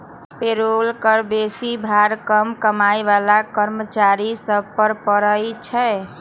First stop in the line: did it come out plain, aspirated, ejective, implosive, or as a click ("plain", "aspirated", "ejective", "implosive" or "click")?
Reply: plain